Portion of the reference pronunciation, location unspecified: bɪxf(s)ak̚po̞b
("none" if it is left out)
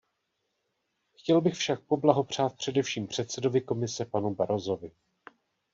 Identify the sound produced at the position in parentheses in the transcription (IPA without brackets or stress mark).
ʃ